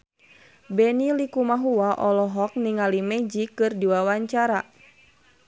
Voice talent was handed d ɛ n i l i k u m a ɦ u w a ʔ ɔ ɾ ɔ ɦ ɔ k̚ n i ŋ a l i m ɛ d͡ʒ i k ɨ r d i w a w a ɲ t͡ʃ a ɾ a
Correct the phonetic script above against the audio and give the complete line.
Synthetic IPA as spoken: b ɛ n i l i k u m a ɦ u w a ʔ ɔ l ɔ ɦ ɔ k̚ n i ŋ a l i m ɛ d͡ʒ i k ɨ r d i w a w a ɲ t͡ʃ a ɾ a

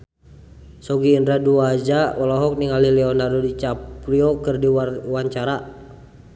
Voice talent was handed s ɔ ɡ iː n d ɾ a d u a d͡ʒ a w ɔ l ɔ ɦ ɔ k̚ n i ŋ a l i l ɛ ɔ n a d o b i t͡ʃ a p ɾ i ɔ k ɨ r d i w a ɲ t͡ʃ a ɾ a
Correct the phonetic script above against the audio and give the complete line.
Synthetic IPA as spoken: s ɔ ɡ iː n d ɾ a d u a d͡ʒ a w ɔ l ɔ ɦ ɔ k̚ n i ŋ a l i l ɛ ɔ n a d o d i t͡ʃ a p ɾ i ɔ k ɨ r d i w a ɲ t͡ʃ a ɾ a

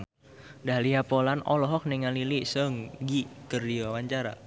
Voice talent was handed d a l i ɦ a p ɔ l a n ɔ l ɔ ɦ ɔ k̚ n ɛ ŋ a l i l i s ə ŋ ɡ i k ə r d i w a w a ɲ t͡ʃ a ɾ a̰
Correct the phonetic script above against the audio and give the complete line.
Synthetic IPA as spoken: d a l i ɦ a p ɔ l a n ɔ l ɔ ɦ ɔ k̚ n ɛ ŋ a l i l i s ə ŋ ɡ i k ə r d i w a w a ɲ t͡ʃ a ɾ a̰

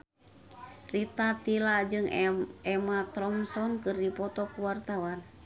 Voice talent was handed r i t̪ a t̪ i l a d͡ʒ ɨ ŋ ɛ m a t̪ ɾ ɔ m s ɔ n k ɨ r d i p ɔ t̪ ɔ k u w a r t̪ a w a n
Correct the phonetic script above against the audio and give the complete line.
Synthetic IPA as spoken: r i t̪ a t̪ i l a d͡ʒ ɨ ŋ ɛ m a t̪ ɾ ɔ m s ɔ n k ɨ r d i p ɔ t̪ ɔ k u w a r t̪ a w a n

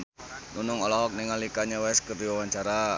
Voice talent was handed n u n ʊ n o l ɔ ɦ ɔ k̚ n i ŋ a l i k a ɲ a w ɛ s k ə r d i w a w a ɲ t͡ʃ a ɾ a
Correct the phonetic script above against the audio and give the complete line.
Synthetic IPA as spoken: n u n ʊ ŋ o l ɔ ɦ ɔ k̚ n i ŋ a l i k a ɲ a w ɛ s k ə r d i w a w a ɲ t͡ʃ a ɾ a

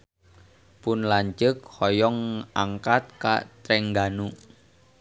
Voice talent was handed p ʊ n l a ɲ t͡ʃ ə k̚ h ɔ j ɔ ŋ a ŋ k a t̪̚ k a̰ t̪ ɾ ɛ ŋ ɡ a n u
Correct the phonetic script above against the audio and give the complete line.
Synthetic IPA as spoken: p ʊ n l a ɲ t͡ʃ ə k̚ h ɔ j ɔ ŋ a ŋ k a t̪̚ k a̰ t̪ ɾ ɛ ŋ ɡ a n u

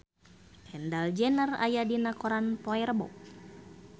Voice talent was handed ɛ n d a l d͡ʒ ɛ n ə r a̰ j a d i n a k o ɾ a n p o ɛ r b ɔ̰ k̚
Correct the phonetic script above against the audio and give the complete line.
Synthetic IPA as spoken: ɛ n d a l d͡ʒ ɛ n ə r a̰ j a d i n a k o ɾ a n p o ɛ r b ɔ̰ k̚

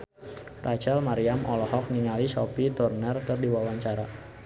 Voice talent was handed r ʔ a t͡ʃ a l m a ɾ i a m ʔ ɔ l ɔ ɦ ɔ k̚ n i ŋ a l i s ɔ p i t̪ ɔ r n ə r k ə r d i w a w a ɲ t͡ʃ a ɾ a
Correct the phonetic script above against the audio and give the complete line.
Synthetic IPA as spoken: r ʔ a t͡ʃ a l m a ɾ i a m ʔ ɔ l ɔ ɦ ɔ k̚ n i ŋ a l i s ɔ p i t̪ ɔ r n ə r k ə r d i w a w a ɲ t͡ʃ a ɾ a

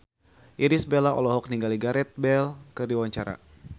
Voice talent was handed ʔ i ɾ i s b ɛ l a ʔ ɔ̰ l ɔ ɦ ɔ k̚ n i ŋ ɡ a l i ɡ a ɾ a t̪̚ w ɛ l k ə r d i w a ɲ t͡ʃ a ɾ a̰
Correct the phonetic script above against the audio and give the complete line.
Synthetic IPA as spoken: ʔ i ɾ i s b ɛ l a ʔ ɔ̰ l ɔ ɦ ɔ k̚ n i ŋ ɡ a l i ɡ a ɾ ɛ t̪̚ b ɛ l k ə r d i w a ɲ t͡ʃ a ɾ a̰

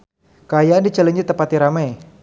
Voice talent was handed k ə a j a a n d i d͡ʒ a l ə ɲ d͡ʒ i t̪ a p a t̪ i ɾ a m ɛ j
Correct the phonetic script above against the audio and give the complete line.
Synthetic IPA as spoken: k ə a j a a n d i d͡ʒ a l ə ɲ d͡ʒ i t̪ ə p a t̪ i ɾ a m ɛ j

